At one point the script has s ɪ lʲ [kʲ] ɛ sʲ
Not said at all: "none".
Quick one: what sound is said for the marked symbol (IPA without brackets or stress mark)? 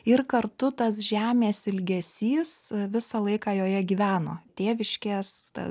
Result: ɡʲ